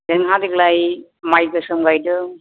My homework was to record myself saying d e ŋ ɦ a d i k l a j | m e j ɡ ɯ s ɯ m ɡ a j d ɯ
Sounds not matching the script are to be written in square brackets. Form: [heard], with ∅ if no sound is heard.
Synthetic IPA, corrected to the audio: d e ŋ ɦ a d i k l a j | m [a] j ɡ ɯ s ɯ m ɡ a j d ɯ